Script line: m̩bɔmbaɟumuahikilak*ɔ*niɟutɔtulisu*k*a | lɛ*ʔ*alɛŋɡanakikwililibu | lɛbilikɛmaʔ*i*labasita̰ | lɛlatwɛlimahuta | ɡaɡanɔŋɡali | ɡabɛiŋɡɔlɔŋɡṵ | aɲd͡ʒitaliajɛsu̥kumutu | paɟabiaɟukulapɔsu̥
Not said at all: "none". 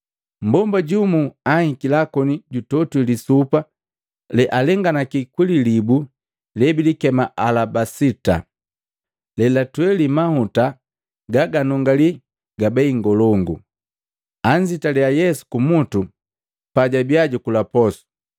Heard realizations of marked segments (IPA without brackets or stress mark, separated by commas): ɔ, p, ʔ, a